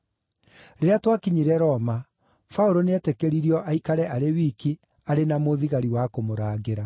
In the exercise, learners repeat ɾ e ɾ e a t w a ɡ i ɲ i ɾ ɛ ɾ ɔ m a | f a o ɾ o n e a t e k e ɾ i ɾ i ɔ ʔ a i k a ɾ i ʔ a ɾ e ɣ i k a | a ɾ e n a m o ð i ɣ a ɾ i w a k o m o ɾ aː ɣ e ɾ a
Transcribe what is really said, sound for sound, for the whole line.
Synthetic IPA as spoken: ɾ e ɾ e a t w a k i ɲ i ɾ ɛ ɾ ɔ m a | f a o ɾ o n e ɛ t e k e ɾ i ɾ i ɔ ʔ a i k a ɾ ɛ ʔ a ɾ e w i k i | a ɾ e n a m o ð i ɣ a ɾ i w a k o m o ɾ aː ɣ e ɾ a